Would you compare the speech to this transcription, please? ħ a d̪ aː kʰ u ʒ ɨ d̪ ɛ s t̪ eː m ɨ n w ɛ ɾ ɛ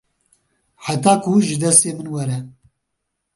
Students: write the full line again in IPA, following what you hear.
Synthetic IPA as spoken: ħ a t̪ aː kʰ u ʒ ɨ d̪ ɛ s t̪ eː m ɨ n w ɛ ɾ ɛ